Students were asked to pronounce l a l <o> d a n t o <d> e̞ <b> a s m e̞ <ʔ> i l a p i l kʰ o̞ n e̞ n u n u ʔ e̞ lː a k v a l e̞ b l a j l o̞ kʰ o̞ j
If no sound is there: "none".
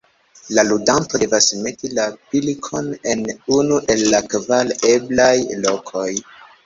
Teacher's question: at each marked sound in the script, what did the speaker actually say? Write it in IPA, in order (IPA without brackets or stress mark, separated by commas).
u, d, v, t